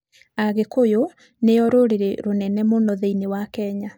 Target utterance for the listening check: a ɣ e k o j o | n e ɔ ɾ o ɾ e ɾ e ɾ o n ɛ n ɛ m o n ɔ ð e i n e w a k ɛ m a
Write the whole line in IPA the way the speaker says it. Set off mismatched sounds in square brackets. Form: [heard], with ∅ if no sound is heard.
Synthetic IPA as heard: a ɣ e k o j o | n e ɔ ɾ o ɾ e ɾ e ɾ o n ɛ n ɛ m o n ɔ ð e i n e w a k ɛ [ɲ] a